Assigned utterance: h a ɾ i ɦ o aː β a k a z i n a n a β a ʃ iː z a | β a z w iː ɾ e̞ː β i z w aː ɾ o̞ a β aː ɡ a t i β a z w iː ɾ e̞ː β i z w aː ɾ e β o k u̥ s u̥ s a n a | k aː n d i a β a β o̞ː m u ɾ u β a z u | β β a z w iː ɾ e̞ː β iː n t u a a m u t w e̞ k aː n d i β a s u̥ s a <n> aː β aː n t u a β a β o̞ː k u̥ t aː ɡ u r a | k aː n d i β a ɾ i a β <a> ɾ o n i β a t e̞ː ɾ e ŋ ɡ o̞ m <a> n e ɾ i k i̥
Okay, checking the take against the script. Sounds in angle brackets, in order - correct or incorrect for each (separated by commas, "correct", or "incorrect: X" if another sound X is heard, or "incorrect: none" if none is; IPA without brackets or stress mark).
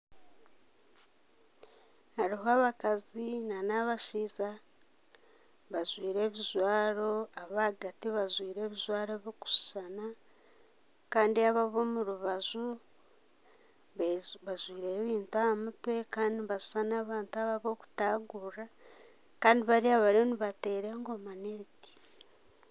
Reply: correct, correct, correct